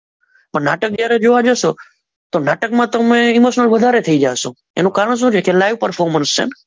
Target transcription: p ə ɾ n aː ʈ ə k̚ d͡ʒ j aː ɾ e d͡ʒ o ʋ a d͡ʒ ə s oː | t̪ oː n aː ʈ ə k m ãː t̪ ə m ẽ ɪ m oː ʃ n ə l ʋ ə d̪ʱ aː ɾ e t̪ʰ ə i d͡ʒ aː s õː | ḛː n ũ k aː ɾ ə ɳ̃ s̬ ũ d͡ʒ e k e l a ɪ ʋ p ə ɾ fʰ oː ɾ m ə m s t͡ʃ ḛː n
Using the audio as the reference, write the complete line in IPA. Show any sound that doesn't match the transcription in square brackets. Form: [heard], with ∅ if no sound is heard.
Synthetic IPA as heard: p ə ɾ n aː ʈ ə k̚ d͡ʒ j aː ɾ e d͡ʒ o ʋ a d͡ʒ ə s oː | t̪ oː n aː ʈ ə k m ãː t̪ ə m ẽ ɪ m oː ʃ n ə l ʋ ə d̪ʱ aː ɾ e t̪ʰ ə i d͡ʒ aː s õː | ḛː n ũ k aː ɾ ə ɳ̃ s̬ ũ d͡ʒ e k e l a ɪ ʋ p ə ɾ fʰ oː ɾ m ə [n] s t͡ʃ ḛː n